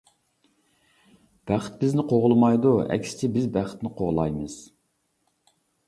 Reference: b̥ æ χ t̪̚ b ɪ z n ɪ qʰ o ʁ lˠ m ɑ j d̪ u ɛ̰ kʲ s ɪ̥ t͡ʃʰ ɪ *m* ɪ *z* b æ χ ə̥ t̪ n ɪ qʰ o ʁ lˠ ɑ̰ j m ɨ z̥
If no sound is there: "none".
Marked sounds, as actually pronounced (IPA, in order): b, z

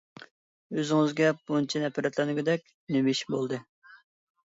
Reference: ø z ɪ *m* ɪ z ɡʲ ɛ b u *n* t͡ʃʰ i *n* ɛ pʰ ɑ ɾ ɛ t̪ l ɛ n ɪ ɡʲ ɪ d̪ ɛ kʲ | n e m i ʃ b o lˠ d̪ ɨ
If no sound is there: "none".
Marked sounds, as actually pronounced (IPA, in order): ŋ, n, n

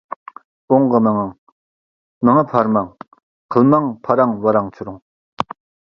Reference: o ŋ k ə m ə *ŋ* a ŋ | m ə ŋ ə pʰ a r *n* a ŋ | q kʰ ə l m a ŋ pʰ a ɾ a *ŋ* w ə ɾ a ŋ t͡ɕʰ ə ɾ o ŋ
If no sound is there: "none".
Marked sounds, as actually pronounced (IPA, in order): ŋ, m, ŋ

